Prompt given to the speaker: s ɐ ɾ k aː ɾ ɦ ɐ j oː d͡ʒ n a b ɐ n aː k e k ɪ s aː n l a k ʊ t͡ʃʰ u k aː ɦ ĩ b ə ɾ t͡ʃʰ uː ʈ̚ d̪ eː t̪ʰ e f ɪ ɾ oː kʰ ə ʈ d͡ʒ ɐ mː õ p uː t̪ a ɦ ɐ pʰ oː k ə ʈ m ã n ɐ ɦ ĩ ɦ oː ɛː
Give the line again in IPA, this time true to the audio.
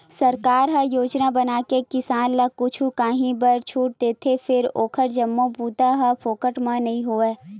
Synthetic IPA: s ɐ ɾ k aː ɾ ɦ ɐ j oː d͡ʒ n a b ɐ n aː k e k ɪ s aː n l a k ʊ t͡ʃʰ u k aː ɦ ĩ b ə ɾ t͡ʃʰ uː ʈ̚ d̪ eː t̪ʰ e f ɪ ɾ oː kʰ ə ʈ d͡ʒ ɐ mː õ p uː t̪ a ɦ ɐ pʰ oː k ə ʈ m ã n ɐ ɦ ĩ ɦ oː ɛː

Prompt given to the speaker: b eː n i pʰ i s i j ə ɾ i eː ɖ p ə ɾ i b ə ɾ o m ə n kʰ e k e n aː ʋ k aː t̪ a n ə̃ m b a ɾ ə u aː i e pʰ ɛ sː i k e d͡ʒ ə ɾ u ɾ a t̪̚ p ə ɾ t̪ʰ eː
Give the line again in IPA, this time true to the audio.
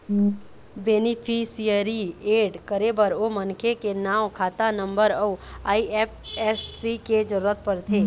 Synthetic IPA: b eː n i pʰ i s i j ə ɾ i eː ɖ k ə ɾ e b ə ɾ o m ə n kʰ e k e n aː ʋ kʰ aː t̪ a n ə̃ m b ə ɾ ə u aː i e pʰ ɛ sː i k e d͡ʒ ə ɾ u ɾ ə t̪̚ p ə ɾ t̪ʰ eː

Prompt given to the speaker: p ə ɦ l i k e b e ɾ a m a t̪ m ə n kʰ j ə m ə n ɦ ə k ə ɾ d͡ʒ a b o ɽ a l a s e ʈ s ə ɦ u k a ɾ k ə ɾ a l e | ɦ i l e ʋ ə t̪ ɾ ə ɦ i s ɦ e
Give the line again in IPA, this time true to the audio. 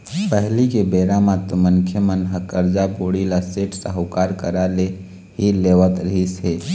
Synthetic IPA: p ə ɦ l i k e b e ɾ a m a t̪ m ə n kʰ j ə m ə n ɦ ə k ə ɾ d͡ʒ a b o ɽ i l a s e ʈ s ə ɦ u k a ɾ k ə ɾ a l e | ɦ i l e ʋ ə t̪ ɾ ə ɦ i s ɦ e

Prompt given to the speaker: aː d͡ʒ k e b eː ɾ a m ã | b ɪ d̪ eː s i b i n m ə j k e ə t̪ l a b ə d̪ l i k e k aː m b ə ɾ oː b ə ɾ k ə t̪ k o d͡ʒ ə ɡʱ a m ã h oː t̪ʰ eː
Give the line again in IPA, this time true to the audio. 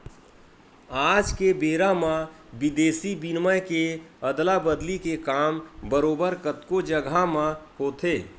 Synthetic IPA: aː d͡ʒ k e b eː ɾ a m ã | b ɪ d̪ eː s i b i n m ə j k e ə d̪ l a b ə d̪ l i k e k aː m b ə ɾ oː b ə ɾ k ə t̪ k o d͡ʒ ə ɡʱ a m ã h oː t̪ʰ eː

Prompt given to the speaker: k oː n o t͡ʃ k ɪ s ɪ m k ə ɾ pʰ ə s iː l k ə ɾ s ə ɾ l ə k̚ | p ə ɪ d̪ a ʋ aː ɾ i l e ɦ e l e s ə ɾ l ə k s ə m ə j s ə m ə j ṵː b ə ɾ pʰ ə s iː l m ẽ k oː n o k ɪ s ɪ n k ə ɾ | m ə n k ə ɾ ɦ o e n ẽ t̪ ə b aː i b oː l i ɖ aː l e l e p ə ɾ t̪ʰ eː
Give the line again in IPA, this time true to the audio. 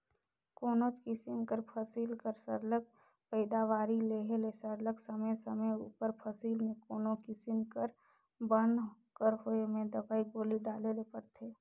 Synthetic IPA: k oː n o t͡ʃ k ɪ s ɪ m k ə ɾ pʰ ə s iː l k ə ɾ s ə ɾ l ə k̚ | p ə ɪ d̪ a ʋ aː ɾ i l e ɦ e l e s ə ɾ l ə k s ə m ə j s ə m ə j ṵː p ə ɾ pʰ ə s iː l m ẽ k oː n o k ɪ s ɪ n k ə ɾ | b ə n k ə ɾ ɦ o e m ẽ d̪ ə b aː i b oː l i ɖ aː l e l e p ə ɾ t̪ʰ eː

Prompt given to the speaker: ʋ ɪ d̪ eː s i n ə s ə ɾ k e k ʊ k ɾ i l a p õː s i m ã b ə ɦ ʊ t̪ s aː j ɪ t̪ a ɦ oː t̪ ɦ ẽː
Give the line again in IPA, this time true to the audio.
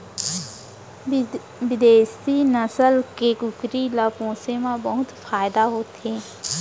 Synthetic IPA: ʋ ɪ d̪ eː s i n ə s ə l k e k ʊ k ɾ i l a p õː s e m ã b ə ɦ ʊ t̪ f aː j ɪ d̪ a ɦ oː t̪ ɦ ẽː

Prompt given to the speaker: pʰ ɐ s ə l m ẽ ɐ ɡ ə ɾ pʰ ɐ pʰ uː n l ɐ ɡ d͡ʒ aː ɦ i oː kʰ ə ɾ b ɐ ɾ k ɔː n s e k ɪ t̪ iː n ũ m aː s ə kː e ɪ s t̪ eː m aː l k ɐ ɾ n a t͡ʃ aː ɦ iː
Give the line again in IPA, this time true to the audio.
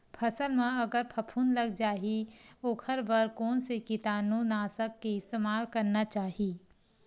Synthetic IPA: pʰ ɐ s ə l m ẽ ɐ ɡ ə ɾ pʰ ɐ pʰ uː n l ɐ ɡ d͡ʒ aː ɦ i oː kʰ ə ɾ b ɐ ɾ k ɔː n s e k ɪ t̪ aː n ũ n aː s ə kː e ɪ s t̪ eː m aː l k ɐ ɾ n a t͡ʃ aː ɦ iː

